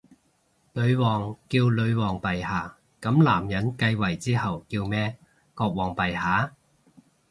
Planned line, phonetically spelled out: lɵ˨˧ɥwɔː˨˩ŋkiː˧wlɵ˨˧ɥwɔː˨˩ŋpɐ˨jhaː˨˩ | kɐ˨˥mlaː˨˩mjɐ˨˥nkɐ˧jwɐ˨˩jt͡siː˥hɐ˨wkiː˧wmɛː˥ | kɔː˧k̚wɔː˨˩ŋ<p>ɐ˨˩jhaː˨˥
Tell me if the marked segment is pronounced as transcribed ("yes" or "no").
yes